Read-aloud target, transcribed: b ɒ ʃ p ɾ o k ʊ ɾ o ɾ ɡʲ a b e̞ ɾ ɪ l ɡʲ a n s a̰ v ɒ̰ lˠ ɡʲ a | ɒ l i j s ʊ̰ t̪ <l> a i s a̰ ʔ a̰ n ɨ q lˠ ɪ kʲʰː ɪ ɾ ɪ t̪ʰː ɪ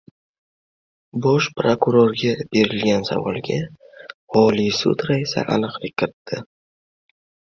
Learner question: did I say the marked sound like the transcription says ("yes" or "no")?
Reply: no